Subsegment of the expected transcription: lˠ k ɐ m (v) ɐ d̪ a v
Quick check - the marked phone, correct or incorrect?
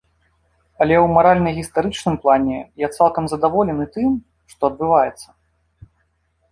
incorrect